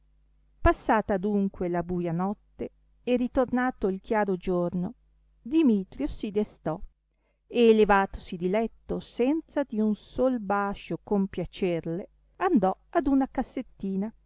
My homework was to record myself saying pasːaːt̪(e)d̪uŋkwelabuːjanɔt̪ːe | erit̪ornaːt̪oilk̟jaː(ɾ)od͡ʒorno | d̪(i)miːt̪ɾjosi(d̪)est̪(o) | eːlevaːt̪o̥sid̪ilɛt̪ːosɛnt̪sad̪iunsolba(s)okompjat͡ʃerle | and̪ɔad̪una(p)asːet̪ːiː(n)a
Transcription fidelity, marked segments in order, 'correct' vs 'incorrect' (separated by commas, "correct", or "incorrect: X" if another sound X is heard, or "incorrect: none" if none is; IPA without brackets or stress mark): incorrect: a, correct, correct, correct, incorrect: ɔ, incorrect: ʃ, incorrect: k, correct